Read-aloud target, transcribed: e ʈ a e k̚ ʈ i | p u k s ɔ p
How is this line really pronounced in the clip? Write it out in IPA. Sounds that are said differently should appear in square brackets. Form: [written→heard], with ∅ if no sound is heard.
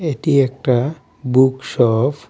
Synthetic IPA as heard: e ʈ [a→i] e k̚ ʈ [i→a] | [p→b] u k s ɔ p